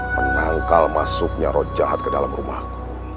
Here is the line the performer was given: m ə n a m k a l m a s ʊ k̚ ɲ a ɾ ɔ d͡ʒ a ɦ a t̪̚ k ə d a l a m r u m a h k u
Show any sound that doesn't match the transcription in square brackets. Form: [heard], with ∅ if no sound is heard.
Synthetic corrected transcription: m ə n a [ŋ] k a l m a s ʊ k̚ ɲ a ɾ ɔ d͡ʒ a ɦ a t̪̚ k ə d a l a m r u m a h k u